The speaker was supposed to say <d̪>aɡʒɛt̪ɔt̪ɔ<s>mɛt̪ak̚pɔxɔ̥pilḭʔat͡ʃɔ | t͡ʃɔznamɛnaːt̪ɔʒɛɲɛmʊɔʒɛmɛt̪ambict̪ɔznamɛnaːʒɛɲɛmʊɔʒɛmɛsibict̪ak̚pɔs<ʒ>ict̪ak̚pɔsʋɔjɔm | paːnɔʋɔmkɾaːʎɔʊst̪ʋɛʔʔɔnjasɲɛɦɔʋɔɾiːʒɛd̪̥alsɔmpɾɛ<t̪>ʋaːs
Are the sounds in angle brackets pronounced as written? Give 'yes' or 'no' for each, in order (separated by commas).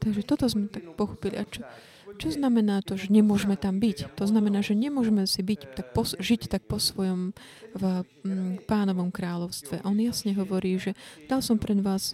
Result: no, no, yes, no